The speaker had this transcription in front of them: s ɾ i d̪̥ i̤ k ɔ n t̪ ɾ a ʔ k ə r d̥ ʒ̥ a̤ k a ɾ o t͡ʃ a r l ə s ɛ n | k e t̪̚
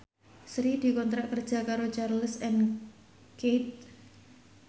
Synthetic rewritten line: s ɾ i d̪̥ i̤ k ɔ n t̪ ɾ a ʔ k ə r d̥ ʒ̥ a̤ k a ɾ o t͡ʃ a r l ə s ɛ n | k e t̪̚

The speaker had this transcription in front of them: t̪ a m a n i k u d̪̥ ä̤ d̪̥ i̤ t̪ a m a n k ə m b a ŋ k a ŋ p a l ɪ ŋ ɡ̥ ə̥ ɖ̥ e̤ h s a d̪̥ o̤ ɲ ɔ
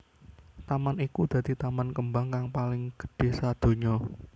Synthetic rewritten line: t̪ a m a n i k u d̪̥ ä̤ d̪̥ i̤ t̪ a m a n k ə m b a ŋ k a ŋ p a l ɪ ŋ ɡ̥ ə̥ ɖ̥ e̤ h s a d̪̥ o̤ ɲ ɔ

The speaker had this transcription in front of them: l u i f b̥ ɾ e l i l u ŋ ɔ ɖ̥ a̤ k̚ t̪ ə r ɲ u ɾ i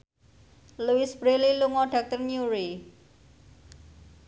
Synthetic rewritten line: l u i s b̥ ɾ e l i l u ŋ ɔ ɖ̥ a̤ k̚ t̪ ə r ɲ u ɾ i

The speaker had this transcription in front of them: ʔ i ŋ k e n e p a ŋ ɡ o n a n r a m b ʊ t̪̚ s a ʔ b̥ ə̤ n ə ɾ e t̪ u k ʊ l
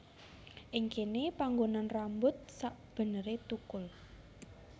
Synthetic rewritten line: ʔ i ŋ k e n e p a ŋ ɡ o n a n r a m b ʊ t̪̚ s a ʔ b̥ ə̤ n ə ɾ e t̪ u k ʊ l

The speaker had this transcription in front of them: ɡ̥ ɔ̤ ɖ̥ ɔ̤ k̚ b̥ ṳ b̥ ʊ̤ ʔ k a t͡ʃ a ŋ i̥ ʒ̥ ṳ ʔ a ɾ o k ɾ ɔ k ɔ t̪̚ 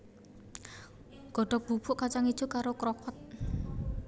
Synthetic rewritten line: ɡ̥ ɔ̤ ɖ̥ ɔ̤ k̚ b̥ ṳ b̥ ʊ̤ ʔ k a t͡ʃ a ŋ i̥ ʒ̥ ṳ k a ɾ o k ɾ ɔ k ɔ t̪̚

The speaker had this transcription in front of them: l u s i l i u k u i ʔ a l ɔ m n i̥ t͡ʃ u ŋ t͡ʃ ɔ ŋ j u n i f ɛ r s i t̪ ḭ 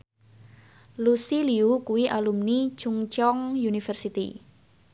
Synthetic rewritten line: l u s i l i u k u i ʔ a l u m n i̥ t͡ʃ u ŋ t͡ʃ ɔ ŋ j u n i f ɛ r s i t̪ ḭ

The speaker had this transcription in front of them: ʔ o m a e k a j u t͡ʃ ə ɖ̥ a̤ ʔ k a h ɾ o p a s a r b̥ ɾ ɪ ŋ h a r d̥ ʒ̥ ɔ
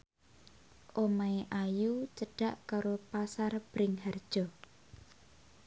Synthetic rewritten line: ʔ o m a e ʔ a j u t͡ʃ ə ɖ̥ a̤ ʔ k a ɾ o p a s a r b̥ ɾ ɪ ŋ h a r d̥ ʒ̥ ɔ

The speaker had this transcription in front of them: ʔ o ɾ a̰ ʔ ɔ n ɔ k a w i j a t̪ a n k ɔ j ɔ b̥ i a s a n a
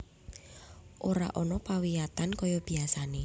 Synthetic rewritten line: ʔ o ɾ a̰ ʔ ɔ n ɔ p a w i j a t̪ a n k ɔ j ɔ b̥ i a s a n e

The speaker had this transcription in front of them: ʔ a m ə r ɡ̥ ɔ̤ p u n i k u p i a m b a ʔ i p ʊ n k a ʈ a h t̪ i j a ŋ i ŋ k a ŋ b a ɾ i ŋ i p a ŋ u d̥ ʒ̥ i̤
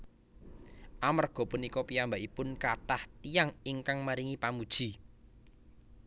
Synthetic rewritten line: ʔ a m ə r ɡ̥ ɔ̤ p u n i k ɔ p i a m b a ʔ i p ʊ n k a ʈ a h t̪ i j a ŋ i ŋ k a ŋ m a ɾ i ŋ i p a m u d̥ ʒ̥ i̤

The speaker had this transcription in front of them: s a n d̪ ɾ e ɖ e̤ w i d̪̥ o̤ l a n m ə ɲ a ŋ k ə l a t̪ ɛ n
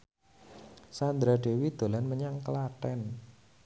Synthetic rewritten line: s a n d̪ ɾ a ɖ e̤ w i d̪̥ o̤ l a n m ə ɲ a ŋ k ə l a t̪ ɛ n

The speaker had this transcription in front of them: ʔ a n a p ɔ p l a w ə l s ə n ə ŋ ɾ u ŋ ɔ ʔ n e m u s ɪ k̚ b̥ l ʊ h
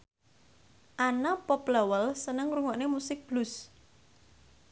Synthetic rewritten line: ʔ a n a p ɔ p l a w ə l s ə n ə ŋ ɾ u ŋ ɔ ʔ n e m u s ɪ k̚ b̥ l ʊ s

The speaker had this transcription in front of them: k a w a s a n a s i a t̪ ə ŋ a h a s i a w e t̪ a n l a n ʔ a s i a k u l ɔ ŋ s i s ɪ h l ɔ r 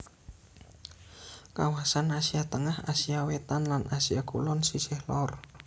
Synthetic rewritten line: k a w a s a n a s i a t̪ ə ŋ a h a s i a w e t̪ a n l a n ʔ a s i a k u l ɔ n s i s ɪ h l ɔ r

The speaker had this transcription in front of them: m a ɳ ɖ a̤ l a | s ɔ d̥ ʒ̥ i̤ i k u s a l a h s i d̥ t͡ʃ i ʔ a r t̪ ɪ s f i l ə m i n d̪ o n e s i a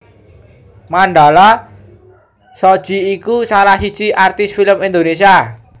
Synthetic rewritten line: m a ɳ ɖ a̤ l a | s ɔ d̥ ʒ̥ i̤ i k u s a l a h s i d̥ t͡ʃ i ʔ a r t̪ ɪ s f i l ə m i n d̪ o n e s i a

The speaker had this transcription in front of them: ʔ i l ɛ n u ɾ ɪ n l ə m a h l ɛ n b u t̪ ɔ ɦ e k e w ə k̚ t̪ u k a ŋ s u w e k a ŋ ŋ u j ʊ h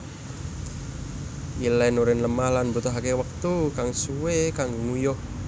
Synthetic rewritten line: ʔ i l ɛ n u ɾ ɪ n l ə m a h l a n b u t̪ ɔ ɦ a k e w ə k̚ t̪ u k a ŋ s u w e k a ŋ ŋ u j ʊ h

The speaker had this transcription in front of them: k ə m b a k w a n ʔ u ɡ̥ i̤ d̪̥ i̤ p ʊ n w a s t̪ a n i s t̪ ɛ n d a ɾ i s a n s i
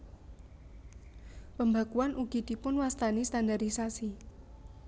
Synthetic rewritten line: p ə m b a k u a n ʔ u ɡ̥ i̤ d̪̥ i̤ p ʊ n w a s t̪ a n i s t̪ a n d a ɾ i s a s i

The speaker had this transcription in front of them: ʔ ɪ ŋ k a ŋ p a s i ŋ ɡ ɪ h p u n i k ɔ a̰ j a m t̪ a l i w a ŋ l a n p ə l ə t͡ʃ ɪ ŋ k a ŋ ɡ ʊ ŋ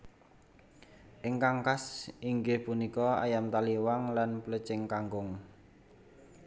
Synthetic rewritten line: ʔ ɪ ŋ k a ŋ k a s i ŋ ɡ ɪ h p u n i k ɔ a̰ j a m t̪ a l i w a ŋ l a n p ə l ə t͡ʃ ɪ ŋ k a ŋ ɡ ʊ ŋ

